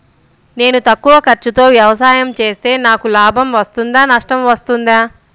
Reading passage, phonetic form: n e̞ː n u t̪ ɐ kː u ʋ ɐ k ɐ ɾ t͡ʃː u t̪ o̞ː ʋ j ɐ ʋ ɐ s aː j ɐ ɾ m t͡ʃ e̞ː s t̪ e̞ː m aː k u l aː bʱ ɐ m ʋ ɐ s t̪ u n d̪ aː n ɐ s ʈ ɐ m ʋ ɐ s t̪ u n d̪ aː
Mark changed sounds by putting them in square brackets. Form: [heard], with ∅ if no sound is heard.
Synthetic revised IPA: n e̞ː n u t̪ ɐ kː u ʋ ɐ k ɐ ɾ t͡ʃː u t̪ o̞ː ʋ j ɐ ʋ ɐ s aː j ɐ [∅] m t͡ʃ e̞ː s t̪ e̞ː [n] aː k u l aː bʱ ɐ m ʋ ɐ s t̪ u n d̪ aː n ɐ [ʂ] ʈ ɐ m ʋ ɐ s t̪ u n d̪ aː